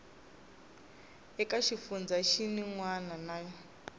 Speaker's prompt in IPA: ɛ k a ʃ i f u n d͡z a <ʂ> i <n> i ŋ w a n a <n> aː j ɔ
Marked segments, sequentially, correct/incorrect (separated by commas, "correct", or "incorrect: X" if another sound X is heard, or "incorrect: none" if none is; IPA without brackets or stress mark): incorrect: ʃ, correct, correct